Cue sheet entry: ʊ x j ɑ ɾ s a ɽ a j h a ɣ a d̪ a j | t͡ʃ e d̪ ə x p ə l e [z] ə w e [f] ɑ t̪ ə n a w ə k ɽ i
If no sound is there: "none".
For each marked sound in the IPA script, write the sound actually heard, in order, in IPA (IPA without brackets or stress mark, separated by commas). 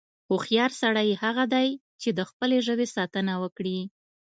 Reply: ʒ, s